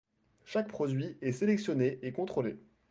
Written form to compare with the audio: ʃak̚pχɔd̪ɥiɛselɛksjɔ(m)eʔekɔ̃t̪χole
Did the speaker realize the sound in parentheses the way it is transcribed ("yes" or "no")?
no